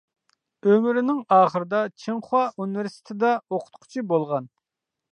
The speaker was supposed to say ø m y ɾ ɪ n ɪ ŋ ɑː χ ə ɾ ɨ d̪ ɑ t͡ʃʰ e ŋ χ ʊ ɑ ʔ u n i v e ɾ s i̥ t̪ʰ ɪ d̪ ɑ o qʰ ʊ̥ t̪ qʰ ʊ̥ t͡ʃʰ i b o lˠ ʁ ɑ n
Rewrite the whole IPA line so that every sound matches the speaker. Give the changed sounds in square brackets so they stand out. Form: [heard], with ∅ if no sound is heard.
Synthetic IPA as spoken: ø m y ɾ ɪ n ɪ ŋ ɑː χ ə ɾ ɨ d̪ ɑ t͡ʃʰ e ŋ χ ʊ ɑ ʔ u n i v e ɾ s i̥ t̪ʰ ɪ d̪ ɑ o qʰ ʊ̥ t̪ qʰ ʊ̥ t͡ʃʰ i b o lˠ ʁ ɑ n

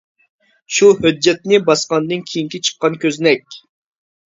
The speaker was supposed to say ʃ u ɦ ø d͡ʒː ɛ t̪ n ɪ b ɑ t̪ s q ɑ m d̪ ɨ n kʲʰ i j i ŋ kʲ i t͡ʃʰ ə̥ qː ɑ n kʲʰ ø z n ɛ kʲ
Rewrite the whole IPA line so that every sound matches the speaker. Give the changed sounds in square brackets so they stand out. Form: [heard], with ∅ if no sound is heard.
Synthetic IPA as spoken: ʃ u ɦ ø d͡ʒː ɛ t̪ n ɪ b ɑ [∅] s q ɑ [n] d̪ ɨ n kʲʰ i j i ŋ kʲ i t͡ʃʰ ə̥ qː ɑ n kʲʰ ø z n ɛ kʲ

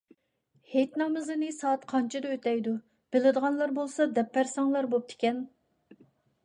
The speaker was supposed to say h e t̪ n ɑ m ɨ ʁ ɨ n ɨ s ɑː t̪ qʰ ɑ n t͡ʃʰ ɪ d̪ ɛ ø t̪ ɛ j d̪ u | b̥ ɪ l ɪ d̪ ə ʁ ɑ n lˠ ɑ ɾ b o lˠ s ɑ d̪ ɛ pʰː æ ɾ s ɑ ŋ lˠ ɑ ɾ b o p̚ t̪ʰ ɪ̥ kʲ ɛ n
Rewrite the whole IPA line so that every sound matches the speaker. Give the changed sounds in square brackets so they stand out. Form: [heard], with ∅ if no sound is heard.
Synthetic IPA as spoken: h e t̪ n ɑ m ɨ [z] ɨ n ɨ s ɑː t̪ qʰ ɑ n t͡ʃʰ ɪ d̪ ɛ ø t̪ ɛ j d̪ u | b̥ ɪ l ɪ d̪ ə ʁ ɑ n lˠ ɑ ɾ b o lˠ s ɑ d̪ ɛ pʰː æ ɾ s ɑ ŋ lˠ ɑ ɾ b o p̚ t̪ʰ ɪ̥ kʲ ɛ n

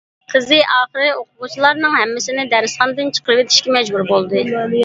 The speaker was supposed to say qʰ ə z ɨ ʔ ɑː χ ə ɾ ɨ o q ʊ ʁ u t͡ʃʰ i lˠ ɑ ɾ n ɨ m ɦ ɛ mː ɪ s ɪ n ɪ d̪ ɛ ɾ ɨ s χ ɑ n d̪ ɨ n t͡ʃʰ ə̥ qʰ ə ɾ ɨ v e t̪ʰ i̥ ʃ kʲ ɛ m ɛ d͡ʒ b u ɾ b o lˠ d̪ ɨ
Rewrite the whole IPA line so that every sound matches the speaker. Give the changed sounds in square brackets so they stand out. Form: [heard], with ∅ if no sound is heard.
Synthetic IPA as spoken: qʰ ə z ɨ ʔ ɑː χ ə ɾ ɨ o q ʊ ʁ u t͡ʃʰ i lˠ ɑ ɾ n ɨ [ŋ] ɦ ɛ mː ɪ s ɪ n ɪ d̪ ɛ ɾ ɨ s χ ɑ n d̪ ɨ n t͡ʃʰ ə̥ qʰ ə ɾ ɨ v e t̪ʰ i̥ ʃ kʲ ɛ m ɛ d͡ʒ b u ɾ b o lˠ d̪ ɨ

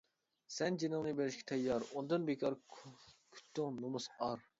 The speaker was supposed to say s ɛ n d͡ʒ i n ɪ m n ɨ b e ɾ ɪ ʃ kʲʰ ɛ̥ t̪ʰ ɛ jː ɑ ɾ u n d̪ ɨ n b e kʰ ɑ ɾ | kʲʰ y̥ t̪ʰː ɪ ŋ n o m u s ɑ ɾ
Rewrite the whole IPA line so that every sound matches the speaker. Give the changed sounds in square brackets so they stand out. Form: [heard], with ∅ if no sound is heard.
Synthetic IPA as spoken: s ɛ n d͡ʒ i n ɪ [ŋ] n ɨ b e ɾ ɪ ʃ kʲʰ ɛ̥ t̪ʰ ɛ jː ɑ ɾ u n d̪ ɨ n b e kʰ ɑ ɾ | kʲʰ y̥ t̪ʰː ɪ ŋ n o m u s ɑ ɾ

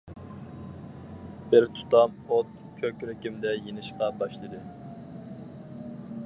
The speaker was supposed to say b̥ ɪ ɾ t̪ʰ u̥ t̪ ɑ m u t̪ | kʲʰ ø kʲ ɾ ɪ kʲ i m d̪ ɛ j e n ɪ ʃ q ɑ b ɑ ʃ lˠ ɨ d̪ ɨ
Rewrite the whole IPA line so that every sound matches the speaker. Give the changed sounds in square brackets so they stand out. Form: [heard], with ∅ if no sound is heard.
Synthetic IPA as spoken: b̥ ɪ ɾ t̪ʰ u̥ t̪ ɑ m [o] t̪ | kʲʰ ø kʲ ɾ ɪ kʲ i m d̪ ɛ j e n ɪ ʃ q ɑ b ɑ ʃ lˠ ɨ d̪ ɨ

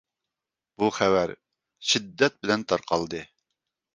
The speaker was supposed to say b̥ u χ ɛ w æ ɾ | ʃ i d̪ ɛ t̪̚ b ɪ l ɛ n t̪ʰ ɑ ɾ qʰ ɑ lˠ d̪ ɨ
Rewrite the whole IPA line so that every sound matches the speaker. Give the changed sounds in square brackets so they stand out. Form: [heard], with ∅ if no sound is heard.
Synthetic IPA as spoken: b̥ u χ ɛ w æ ɾ | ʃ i [d̪ː] ɛ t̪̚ b ɪ l ɛ n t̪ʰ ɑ ɾ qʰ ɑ lˠ d̪ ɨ

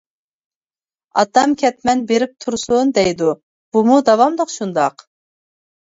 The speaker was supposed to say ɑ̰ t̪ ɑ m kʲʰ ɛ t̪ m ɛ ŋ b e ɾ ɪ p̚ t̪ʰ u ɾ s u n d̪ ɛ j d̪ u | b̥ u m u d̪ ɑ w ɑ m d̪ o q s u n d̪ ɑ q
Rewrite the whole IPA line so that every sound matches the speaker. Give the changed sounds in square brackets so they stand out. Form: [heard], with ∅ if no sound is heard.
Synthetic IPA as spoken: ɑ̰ t̪ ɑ m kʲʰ ɛ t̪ m ɛ [n] b e ɾ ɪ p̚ t̪ʰ u ɾ s u n d̪ ɛ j d̪ u | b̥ u m u d̪ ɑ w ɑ m d̪ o q [ʃ] u n d̪ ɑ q

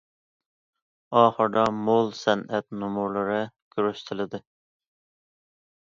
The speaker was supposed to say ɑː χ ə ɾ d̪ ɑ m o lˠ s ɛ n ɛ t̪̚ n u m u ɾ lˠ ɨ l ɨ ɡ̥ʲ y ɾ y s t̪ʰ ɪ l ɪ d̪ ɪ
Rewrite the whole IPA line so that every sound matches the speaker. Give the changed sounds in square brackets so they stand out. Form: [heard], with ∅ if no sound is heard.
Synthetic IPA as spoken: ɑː χ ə ɾ d̪ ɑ m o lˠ s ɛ n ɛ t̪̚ n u m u ɾ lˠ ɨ [ɾ] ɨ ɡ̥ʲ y ɾ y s t̪ʰ ɪ l ɪ d̪ ɪ

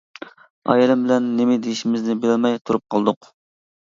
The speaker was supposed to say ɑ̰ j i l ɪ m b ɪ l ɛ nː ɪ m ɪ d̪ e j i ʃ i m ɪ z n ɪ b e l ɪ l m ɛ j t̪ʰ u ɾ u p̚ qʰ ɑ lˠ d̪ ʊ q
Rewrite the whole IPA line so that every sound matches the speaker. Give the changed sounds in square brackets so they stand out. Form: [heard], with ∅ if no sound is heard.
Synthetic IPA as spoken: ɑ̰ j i l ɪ m b ɪ l ɛ nː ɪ m ɪ d̪ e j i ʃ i m ɪ z n ɪ b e l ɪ l m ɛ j t̪ʰ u ɾ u p̚ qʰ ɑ lˠ d̪ ʊ q

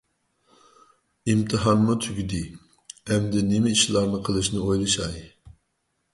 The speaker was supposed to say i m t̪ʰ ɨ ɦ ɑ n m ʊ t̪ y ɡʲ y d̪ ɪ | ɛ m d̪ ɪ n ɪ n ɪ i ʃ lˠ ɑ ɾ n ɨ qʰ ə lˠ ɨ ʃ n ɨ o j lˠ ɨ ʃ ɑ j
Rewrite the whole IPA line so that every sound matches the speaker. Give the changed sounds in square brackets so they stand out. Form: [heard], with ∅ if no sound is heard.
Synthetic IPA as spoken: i m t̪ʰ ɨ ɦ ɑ n m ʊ [t̪ʰ] y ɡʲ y d̪ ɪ | ɛ m d̪ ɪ n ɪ [m] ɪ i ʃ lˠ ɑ ɾ n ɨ qʰ ə lˠ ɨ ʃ n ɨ o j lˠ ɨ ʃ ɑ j

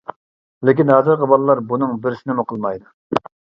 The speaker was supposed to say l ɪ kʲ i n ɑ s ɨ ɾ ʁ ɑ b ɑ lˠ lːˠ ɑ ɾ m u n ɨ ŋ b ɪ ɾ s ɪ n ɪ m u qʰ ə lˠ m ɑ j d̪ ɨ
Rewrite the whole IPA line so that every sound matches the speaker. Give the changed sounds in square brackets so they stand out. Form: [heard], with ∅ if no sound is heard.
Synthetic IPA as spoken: l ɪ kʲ i n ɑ [z] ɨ ɾ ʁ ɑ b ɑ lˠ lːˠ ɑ ɾ [b] u n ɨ ŋ b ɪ ɾ s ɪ n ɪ m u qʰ ə lˠ m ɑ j d̪ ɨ

